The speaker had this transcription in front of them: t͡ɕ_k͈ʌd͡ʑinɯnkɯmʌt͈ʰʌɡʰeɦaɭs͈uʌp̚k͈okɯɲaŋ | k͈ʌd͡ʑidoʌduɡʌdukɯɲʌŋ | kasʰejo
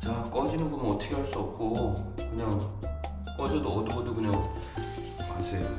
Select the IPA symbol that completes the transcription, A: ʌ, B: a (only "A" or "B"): B